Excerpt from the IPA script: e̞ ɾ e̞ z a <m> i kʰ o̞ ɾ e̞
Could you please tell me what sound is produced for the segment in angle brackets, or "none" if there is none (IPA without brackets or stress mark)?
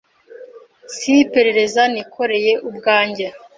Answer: n